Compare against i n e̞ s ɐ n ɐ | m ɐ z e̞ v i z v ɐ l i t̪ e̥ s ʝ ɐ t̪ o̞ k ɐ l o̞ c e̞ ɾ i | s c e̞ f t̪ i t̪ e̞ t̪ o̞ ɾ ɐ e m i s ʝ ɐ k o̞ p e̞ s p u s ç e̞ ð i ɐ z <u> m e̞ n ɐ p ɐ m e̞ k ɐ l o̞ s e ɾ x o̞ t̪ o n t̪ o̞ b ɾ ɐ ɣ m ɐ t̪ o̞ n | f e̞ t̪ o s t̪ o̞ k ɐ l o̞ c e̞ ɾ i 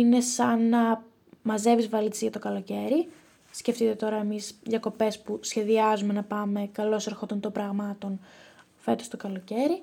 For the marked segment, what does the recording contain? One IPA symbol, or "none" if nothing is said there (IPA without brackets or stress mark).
u